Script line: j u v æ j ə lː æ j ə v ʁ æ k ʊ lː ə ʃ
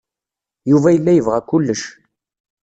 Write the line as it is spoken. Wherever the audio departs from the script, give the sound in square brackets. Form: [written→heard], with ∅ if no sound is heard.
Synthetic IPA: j u v æ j ə lː æ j ə v ʁ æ k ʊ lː ə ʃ